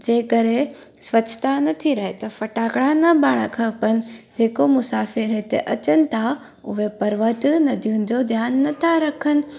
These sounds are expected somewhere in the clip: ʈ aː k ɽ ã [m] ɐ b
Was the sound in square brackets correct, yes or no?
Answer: no